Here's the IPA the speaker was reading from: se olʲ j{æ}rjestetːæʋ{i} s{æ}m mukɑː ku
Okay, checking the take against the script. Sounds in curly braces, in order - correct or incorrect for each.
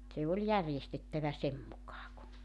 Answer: correct, incorrect: æ, incorrect: e

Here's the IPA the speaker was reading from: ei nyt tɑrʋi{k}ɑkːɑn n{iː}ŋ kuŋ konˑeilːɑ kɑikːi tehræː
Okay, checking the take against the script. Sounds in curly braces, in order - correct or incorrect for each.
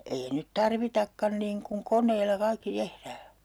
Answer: incorrect: t, correct

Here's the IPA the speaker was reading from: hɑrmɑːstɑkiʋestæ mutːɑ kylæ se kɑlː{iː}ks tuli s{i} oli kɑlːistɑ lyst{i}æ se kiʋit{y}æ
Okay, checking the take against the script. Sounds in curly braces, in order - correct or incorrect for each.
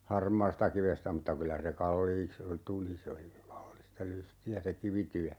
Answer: correct, incorrect: e, correct, correct

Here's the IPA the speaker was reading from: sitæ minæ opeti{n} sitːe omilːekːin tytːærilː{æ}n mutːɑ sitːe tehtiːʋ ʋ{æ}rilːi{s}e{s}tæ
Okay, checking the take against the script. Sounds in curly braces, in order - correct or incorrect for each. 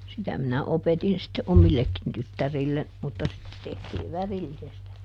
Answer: correct, incorrect: e, correct, correct, correct

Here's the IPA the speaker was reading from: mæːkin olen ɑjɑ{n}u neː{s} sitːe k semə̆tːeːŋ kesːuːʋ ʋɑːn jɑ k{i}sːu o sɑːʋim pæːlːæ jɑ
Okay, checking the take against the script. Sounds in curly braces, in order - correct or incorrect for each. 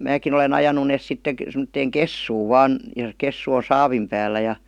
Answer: correct, correct, incorrect: e

